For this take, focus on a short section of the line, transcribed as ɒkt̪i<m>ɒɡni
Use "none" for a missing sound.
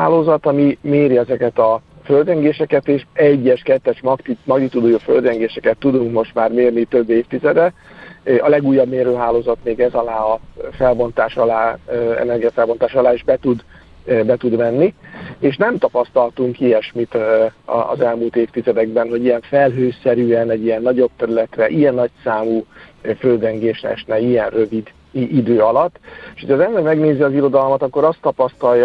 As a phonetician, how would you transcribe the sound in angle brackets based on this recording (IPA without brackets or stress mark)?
m